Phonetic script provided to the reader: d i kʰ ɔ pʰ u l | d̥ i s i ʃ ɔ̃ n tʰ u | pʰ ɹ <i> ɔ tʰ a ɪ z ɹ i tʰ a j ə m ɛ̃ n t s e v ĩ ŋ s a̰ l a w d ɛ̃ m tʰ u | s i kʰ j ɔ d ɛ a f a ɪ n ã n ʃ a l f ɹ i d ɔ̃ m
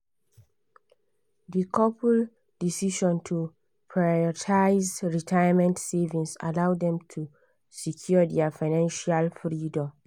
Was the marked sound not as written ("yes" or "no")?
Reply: yes